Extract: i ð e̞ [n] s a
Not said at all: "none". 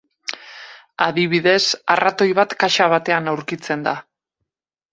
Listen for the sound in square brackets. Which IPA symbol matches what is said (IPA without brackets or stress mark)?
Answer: none